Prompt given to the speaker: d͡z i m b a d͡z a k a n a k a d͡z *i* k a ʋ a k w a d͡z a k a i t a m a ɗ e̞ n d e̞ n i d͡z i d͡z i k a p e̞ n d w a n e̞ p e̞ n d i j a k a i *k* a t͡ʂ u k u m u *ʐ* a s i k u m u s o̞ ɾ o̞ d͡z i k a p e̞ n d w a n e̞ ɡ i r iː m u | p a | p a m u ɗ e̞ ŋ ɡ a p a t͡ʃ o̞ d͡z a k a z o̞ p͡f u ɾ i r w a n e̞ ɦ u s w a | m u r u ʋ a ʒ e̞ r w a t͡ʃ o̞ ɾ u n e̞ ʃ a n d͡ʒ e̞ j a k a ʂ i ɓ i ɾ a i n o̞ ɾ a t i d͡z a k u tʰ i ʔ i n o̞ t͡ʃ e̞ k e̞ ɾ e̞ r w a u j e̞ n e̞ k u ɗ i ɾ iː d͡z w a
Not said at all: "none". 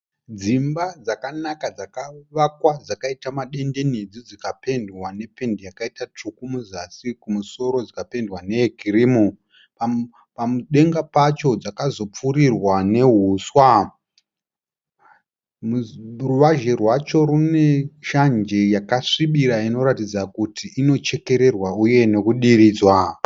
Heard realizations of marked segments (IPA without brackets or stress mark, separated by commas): a, t, z